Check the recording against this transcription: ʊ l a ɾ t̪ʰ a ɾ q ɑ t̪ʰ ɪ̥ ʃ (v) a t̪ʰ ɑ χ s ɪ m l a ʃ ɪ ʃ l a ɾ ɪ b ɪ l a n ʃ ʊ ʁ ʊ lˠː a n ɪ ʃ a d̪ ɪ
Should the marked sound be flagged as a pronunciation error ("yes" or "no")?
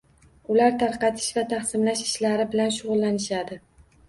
no